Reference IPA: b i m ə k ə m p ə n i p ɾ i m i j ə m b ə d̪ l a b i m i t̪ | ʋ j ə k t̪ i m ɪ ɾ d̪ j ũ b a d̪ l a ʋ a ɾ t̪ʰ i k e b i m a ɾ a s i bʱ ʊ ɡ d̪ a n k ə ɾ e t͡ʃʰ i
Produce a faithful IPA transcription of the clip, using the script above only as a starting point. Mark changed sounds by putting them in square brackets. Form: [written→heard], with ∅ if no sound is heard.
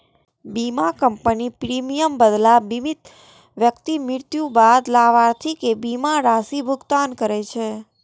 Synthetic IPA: b i m [ə→a] k ə m p ə n i p ɾ i m i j ə m b ə d̪ l a b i m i t̪ | ʋ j ə k t̪ i m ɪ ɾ [d̪→t̪] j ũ b a d̪ l a ʋ a ɾ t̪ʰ i k e b i m a ɾ a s i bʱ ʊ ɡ [d̪→t̪] a n k ə ɾ e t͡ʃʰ [i→e]